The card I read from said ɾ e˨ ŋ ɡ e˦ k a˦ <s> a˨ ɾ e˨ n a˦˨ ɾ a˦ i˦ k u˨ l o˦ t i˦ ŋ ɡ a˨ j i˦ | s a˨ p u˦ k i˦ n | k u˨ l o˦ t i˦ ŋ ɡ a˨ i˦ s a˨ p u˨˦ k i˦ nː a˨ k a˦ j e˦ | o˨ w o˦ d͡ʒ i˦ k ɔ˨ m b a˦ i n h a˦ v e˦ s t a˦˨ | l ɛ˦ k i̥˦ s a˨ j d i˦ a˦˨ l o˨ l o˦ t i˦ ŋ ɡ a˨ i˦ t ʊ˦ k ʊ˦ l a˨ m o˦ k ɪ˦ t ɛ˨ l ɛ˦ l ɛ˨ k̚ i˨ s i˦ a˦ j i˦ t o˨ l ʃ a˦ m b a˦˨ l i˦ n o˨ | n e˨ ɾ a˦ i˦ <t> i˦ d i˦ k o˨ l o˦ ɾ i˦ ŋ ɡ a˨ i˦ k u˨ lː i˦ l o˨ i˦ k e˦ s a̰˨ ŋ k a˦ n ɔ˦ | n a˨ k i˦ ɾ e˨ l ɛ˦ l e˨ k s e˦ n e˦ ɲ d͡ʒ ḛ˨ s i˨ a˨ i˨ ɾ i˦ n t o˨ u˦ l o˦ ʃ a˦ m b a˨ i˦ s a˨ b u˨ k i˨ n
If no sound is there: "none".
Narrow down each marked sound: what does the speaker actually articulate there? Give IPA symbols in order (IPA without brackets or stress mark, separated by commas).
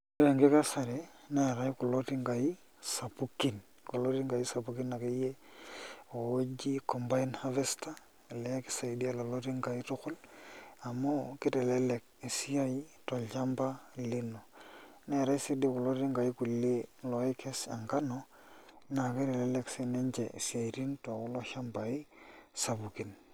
s, s